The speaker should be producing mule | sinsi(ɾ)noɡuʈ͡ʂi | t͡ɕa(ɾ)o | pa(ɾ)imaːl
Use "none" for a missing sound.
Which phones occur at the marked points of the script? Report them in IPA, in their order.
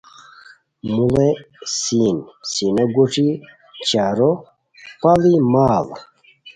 none, ɾ, l

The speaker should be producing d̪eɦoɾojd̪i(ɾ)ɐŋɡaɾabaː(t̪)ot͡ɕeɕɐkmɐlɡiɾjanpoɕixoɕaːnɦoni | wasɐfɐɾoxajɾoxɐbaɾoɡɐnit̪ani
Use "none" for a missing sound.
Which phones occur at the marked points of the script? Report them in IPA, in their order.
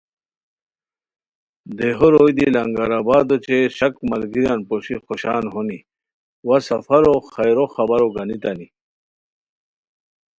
l, d̪

